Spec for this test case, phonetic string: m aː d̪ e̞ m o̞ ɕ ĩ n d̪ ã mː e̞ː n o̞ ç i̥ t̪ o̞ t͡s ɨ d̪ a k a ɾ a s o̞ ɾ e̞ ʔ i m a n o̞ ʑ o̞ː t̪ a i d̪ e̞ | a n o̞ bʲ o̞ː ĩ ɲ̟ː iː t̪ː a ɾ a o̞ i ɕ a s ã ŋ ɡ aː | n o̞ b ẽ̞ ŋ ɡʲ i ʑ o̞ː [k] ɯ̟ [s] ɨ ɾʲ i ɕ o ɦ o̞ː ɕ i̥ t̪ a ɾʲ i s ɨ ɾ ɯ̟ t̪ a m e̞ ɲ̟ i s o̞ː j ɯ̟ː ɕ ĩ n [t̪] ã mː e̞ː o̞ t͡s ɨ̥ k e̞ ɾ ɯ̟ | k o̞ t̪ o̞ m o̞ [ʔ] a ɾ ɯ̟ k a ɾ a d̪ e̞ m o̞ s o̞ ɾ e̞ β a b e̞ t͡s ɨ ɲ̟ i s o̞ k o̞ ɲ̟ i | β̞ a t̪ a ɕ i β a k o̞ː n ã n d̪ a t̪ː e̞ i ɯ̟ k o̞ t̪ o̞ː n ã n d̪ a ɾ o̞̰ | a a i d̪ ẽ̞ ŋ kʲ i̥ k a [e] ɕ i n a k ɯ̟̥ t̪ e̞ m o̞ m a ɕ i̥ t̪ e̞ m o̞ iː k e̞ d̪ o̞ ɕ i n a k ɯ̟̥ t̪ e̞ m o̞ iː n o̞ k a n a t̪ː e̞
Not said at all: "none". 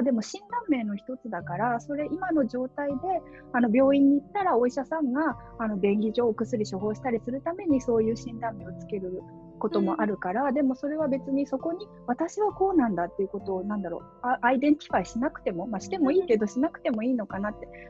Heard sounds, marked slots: k, s, d̪, ʔ, i

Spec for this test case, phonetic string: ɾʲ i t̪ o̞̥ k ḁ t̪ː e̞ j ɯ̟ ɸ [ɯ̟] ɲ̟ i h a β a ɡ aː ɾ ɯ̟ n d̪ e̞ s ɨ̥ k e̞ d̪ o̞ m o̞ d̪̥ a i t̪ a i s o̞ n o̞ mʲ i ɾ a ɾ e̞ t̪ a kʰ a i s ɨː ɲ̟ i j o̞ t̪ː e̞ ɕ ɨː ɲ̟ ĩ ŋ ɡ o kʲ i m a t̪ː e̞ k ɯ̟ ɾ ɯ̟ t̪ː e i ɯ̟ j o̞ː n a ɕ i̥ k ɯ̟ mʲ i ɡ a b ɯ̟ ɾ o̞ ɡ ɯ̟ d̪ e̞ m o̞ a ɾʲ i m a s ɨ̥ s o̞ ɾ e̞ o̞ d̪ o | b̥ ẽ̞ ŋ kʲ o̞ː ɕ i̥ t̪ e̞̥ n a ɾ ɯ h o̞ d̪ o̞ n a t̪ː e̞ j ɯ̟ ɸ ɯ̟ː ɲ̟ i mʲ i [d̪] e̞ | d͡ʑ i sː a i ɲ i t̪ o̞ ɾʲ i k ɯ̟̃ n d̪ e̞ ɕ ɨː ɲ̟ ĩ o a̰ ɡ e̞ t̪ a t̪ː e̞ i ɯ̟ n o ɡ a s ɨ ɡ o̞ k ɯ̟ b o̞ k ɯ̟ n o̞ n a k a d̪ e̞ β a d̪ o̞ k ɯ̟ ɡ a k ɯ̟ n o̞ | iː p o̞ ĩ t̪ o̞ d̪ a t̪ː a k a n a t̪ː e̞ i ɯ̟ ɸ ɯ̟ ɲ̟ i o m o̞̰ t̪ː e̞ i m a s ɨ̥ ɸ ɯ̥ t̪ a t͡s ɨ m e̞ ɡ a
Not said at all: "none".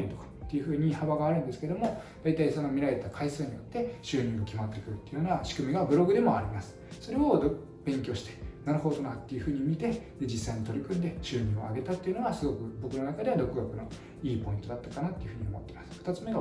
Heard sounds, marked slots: ɯ̟ː, t̪

